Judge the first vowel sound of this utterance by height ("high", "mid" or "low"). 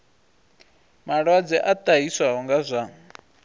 low